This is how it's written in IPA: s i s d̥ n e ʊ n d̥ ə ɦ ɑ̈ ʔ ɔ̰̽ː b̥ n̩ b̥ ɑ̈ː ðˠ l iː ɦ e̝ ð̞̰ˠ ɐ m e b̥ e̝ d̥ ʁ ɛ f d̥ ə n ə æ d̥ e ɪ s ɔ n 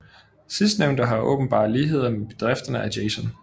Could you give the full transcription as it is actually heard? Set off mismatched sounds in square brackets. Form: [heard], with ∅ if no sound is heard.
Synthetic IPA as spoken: s i s d̥ n e ʊ n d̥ ə ɦ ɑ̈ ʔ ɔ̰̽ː b̥ n̩ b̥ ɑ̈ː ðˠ l iː ɦ e̝ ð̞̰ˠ ɐ m e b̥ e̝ d̥ ʁ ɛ f d̥ [ɐ] n ə æ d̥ e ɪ s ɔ n